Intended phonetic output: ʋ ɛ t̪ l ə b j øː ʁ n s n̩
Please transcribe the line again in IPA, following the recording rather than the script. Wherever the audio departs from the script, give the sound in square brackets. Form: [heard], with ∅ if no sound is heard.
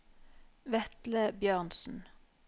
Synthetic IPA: ʋ ɛ t̪ l ə b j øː ʁ n s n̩